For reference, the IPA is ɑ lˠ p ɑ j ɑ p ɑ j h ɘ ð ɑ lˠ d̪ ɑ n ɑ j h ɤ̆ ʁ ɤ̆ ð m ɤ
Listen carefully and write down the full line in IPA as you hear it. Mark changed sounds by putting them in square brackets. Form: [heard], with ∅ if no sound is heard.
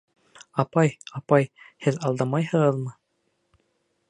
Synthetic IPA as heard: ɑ [∅] p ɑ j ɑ p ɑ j h ɘ ð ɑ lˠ d̪ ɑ [m] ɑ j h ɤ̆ ʁ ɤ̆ ð m ɤ